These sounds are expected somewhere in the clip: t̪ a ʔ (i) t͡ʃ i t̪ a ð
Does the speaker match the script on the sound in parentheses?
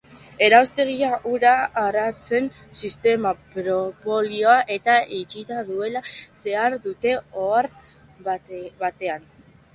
yes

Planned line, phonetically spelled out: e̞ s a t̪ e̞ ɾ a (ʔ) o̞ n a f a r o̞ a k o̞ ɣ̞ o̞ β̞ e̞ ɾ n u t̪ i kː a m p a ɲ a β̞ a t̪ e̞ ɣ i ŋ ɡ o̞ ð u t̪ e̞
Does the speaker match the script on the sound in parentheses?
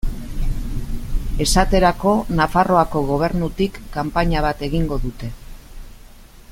no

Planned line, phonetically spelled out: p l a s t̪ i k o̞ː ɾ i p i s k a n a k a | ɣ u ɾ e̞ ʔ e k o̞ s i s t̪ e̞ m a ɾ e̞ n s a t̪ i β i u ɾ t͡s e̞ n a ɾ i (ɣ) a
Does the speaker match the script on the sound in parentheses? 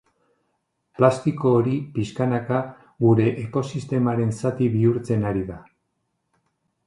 no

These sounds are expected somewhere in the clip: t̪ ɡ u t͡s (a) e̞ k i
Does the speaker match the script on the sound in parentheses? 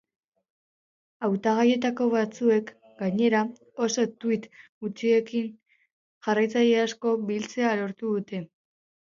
no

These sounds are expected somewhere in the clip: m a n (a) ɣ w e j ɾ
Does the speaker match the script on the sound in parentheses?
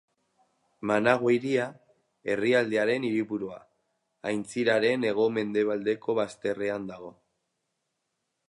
yes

